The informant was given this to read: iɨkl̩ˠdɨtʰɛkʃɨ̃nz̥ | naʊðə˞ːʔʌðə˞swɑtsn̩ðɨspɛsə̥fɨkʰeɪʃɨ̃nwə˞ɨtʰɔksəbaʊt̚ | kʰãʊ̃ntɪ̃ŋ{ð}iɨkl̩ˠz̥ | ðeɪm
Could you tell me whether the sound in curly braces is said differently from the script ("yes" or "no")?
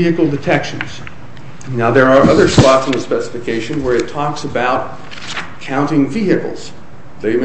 yes